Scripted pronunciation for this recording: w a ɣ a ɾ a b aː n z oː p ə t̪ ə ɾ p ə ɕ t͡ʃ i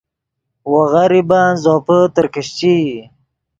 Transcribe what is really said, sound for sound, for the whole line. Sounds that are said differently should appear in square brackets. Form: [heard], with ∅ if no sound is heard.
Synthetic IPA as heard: w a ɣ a ɾ [i] b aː n z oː p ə t̪ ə ɾ [k] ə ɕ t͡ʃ i